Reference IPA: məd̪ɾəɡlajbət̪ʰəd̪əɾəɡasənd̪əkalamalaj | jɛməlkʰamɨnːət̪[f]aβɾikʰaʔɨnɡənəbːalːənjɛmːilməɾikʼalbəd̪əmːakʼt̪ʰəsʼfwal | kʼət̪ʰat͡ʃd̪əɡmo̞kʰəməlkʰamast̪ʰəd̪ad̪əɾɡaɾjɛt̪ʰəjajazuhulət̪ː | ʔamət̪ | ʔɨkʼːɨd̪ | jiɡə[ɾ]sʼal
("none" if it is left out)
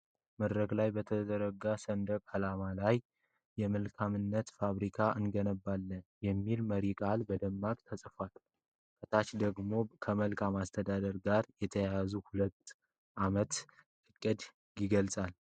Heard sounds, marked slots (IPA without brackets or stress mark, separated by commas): f, l